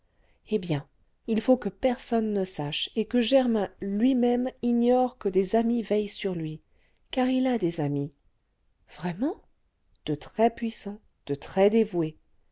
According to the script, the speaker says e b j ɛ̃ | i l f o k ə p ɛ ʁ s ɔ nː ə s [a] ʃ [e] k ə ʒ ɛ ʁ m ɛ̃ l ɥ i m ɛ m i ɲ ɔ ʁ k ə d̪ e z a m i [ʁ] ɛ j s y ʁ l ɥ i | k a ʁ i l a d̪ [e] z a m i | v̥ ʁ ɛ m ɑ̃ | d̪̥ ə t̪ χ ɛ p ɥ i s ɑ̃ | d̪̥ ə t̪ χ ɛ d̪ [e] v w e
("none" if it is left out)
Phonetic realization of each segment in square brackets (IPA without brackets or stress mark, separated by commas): a, e, v, e, e